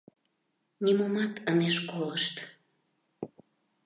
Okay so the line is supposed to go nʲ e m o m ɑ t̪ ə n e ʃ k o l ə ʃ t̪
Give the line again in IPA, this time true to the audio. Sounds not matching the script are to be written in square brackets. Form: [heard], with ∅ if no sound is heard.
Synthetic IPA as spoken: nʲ [i] m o m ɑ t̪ ə n e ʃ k o l ə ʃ t̪